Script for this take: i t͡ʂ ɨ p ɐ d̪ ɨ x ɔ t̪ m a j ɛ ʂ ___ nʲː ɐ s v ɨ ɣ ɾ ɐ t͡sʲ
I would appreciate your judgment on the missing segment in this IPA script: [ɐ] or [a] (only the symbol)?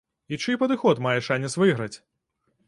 a